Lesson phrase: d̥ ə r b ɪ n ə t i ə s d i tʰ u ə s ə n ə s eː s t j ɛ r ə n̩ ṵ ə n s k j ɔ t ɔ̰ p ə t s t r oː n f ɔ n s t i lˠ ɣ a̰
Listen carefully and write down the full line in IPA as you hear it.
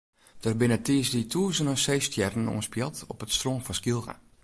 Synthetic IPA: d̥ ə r b ɪ n ə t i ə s d i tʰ u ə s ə n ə s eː s t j ɛ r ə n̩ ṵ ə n s p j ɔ t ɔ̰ p ə t s t r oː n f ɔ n s k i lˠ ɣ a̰